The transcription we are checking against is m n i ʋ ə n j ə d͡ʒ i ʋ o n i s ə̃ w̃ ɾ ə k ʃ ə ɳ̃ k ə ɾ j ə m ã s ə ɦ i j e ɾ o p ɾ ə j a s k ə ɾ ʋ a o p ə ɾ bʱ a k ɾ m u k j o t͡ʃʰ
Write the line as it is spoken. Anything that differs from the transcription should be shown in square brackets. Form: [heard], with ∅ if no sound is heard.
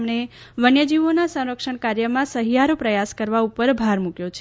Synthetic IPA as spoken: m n [e] ʋ ə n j ə d͡ʒ i ʋ o n [a] s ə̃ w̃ ɾ ə k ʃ ə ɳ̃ k [a] ɾ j ə m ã s ə ɦ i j [a] ɾ o p ɾ ə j a s k ə ɾ ʋ a [u] p ə ɾ bʱ a [∅] ɾ m u k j o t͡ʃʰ